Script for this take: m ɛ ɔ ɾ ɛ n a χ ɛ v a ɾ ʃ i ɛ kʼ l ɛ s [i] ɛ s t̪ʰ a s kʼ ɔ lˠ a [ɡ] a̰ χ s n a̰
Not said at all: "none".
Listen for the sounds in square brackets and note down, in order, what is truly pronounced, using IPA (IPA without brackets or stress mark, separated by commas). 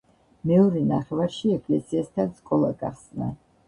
i, ɡ